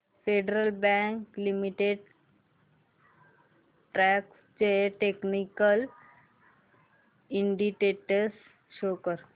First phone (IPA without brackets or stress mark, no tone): f